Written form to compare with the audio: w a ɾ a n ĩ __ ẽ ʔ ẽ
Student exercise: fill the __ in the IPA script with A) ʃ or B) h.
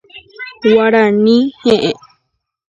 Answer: B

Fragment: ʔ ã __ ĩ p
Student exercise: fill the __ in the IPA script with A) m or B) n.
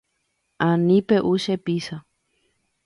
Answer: B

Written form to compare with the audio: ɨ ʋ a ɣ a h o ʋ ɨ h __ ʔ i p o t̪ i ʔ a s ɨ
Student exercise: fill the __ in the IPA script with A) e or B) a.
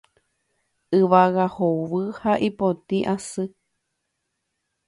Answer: B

